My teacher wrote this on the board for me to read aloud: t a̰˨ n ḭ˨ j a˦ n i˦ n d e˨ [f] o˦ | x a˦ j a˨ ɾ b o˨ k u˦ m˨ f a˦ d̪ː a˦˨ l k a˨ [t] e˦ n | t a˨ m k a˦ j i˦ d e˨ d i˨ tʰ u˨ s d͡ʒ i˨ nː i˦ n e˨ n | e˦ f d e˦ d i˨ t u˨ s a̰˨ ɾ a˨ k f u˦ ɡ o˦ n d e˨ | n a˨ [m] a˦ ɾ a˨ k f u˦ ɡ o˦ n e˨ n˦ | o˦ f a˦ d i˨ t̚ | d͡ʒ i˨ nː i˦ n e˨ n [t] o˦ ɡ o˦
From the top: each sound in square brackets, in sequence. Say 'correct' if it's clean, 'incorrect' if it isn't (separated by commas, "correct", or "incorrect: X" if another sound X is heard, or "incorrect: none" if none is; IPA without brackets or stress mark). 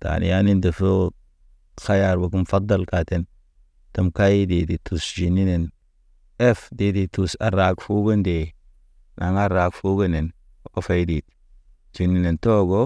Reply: correct, correct, incorrect: ŋ, correct